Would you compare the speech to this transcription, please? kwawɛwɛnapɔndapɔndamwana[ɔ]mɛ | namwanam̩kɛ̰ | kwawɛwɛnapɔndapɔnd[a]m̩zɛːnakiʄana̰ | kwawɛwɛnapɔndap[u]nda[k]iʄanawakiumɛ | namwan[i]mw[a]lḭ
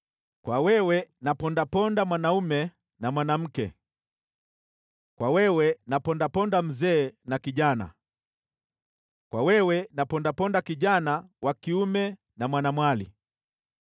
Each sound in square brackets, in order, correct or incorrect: incorrect: u, correct, incorrect: ɔ, correct, incorrect: a, correct

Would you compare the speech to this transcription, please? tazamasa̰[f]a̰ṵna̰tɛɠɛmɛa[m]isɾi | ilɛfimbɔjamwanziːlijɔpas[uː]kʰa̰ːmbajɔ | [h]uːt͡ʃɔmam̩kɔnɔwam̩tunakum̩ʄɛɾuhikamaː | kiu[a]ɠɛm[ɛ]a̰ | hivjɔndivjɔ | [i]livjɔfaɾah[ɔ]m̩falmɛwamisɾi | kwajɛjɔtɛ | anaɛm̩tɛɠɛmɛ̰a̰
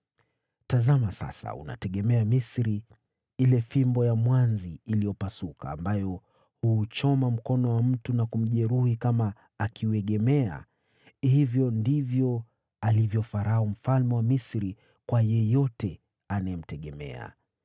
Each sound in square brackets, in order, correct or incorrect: incorrect: s, correct, incorrect: u, correct, incorrect: ɛ, correct, incorrect: a, incorrect: u

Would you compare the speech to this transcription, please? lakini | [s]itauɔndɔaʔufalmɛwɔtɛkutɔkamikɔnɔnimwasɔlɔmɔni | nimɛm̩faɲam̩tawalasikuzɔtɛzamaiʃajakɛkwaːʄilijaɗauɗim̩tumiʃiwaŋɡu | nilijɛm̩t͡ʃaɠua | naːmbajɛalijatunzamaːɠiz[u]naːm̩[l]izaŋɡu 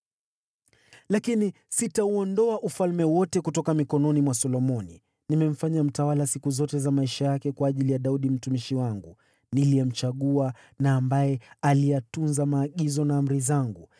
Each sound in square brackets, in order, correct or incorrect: correct, incorrect: ɔ, incorrect: ɾ

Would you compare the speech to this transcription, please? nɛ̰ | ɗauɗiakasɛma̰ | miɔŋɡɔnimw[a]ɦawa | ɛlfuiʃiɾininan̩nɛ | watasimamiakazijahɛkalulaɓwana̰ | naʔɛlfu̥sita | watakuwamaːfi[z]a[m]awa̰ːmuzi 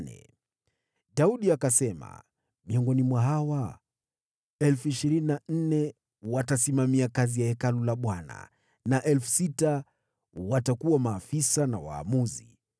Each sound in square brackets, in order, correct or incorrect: correct, incorrect: s, incorrect: n

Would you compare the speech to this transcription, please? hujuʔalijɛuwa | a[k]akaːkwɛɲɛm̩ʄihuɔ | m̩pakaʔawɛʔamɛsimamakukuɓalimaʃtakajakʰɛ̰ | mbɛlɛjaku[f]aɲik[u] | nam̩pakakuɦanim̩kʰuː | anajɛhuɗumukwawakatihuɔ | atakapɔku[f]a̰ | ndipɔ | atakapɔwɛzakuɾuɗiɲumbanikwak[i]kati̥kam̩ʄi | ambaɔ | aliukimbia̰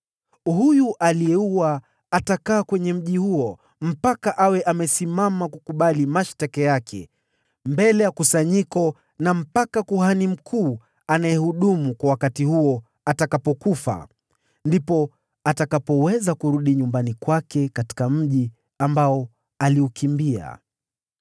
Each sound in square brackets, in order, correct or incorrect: incorrect: t, incorrect: s, incorrect: ɔ, correct, incorrect: ɛ

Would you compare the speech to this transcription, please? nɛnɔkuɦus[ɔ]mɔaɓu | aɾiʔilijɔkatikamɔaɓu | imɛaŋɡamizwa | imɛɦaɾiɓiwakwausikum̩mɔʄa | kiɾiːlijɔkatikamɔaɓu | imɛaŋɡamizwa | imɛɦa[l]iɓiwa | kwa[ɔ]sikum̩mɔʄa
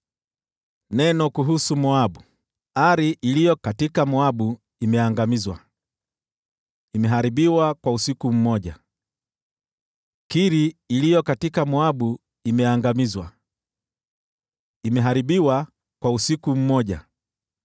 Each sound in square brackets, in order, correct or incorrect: incorrect: u, incorrect: ɾ, incorrect: u

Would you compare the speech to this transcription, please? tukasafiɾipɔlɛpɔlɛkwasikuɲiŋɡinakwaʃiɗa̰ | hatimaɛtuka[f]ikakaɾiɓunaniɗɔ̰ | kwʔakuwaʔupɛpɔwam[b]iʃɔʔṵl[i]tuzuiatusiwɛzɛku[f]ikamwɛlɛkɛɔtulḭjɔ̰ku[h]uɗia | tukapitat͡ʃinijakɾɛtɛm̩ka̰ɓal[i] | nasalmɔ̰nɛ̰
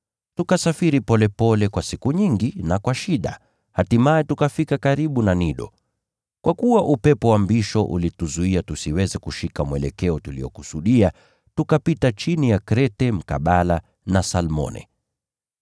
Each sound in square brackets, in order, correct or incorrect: correct, correct, correct, incorrect: ʃ, incorrect: s, incorrect: a

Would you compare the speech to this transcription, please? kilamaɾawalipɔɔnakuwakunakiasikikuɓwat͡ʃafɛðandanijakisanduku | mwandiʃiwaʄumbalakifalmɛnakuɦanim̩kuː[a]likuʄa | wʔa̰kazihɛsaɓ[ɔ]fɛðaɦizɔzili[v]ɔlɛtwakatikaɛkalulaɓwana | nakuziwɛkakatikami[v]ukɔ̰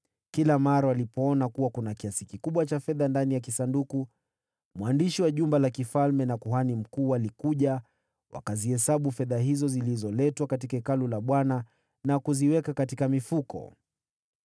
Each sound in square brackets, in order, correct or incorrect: correct, incorrect: u, incorrect: z, incorrect: f

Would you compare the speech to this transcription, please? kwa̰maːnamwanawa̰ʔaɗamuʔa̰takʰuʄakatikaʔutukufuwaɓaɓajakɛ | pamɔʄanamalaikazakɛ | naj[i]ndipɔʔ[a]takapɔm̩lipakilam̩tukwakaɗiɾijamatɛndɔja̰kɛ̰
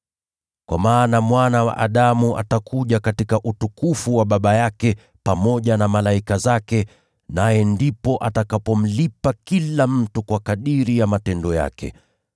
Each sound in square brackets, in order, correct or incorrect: incorrect: ɛ, correct

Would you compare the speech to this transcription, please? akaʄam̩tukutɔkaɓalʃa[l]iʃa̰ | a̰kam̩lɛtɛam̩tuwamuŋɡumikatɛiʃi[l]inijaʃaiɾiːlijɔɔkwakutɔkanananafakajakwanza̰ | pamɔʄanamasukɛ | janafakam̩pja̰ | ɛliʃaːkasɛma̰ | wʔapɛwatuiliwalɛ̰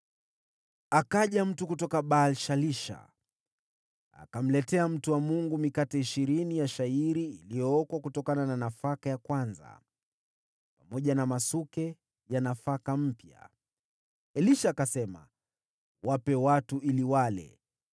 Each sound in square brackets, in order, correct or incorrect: correct, incorrect: ɾ

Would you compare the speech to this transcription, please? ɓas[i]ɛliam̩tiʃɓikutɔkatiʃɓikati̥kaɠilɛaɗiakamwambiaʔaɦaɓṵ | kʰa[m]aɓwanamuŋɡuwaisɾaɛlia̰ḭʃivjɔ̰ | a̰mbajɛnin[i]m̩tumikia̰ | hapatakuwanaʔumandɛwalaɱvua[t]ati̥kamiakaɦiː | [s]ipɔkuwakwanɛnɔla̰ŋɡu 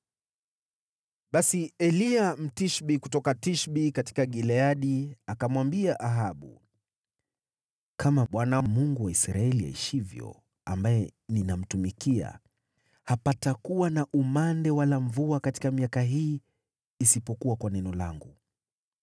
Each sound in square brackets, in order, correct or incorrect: correct, correct, incorrect: a, incorrect: k, correct

